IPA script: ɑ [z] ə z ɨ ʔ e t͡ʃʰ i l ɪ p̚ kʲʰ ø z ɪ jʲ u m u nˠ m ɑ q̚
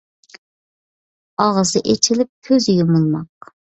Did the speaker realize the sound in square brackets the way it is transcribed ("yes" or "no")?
no